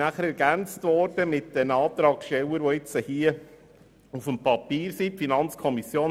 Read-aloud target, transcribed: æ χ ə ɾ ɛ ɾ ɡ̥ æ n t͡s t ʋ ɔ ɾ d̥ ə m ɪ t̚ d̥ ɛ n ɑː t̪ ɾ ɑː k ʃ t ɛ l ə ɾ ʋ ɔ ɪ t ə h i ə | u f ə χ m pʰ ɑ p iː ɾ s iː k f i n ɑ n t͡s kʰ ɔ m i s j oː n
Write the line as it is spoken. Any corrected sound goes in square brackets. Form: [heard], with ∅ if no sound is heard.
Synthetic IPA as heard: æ χ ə ɾ ɛ ɾ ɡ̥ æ n t͡s t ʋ ɔ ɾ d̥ ə m ɪ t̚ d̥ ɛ n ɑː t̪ ɾ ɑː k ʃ t ɛ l ə ɾ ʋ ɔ ɪ [t͡s] ə h i ə | u f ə [∅] m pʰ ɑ p iː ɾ s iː [p] f i n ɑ n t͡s kʰ ɔ m i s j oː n